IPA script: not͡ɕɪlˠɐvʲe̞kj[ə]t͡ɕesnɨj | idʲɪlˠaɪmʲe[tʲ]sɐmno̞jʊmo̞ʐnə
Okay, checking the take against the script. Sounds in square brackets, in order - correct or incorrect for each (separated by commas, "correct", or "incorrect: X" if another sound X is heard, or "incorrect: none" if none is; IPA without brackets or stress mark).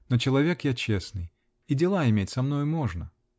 incorrect: a, correct